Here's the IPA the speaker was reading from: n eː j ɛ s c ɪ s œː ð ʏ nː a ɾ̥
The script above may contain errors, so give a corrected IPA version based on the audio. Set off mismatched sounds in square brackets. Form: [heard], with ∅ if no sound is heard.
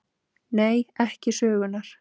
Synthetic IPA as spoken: n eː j ɛ [h] c ɪ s œː [ɣ] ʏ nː a ɾ̥